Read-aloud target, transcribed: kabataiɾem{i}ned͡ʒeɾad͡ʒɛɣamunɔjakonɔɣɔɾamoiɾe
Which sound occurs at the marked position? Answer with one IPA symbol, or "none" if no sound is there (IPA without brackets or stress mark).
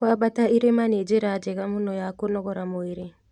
a